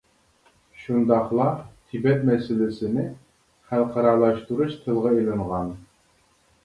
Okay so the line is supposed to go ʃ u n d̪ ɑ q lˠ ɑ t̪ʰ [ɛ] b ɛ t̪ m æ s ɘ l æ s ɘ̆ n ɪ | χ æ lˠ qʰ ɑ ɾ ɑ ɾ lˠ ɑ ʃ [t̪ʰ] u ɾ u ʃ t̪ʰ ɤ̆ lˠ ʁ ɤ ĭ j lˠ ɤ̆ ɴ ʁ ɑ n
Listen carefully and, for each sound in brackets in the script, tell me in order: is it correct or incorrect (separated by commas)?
incorrect, incorrect